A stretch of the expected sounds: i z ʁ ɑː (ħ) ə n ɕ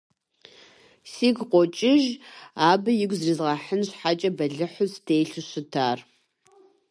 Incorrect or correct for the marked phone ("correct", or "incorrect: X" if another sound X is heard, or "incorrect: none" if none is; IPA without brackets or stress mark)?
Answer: correct